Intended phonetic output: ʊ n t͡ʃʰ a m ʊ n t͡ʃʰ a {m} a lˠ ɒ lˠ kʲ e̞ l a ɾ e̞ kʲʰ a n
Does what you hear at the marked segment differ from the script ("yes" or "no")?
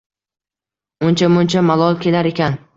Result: no